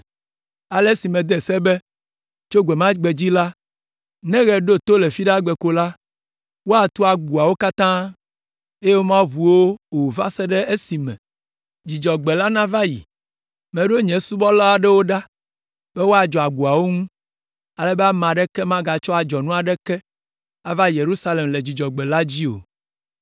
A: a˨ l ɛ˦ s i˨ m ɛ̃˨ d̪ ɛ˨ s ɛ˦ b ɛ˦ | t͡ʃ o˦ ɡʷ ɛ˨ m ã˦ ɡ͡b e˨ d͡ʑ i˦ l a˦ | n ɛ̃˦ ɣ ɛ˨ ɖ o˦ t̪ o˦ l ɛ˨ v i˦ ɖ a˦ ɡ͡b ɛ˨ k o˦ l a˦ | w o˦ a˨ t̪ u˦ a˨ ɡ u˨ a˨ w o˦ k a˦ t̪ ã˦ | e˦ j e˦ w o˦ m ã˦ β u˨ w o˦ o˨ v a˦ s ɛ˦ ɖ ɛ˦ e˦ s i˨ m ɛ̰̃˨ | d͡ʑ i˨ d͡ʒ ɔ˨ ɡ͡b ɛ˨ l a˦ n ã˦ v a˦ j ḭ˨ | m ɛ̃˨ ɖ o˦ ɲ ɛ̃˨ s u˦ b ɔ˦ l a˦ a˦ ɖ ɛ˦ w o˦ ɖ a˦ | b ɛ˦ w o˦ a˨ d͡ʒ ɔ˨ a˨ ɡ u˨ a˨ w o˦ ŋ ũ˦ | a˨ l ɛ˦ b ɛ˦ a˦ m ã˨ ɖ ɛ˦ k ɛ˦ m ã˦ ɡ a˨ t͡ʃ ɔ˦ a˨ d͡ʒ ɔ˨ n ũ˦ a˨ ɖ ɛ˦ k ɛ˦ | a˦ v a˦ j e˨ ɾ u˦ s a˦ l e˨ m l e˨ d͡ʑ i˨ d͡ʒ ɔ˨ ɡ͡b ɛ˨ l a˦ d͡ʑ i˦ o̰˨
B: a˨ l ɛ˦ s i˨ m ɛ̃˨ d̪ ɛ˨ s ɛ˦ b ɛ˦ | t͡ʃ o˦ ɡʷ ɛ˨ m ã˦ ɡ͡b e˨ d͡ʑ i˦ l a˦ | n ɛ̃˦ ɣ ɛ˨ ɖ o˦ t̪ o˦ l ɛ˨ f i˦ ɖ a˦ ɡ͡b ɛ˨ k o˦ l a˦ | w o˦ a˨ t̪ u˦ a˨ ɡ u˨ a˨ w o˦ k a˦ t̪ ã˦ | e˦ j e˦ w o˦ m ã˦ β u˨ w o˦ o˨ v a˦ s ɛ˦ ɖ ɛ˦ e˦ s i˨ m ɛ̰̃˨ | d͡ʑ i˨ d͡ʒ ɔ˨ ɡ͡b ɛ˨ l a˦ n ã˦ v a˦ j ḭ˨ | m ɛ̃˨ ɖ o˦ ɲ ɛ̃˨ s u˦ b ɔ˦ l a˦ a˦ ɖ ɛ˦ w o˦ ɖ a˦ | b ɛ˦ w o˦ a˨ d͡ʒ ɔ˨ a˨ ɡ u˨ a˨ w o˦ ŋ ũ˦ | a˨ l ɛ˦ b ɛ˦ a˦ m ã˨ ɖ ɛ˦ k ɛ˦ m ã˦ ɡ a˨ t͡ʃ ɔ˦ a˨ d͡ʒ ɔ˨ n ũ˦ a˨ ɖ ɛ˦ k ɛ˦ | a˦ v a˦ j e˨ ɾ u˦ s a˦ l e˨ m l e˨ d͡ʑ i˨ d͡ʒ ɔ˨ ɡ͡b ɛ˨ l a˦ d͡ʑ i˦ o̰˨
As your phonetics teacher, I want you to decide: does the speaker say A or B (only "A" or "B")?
B